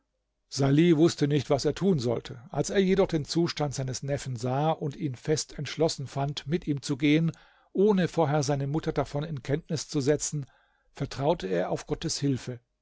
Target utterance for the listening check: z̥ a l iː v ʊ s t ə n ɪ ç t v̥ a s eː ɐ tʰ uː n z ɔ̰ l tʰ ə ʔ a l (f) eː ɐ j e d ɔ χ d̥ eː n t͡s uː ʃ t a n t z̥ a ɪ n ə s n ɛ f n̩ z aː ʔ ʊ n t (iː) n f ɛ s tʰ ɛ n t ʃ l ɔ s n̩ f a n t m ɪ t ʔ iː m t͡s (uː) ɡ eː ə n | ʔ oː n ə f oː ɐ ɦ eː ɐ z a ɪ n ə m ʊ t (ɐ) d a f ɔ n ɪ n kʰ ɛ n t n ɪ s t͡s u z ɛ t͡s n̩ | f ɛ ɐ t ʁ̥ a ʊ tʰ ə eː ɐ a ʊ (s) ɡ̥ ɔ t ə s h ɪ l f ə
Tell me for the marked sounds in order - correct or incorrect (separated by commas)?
incorrect, correct, incorrect, correct, incorrect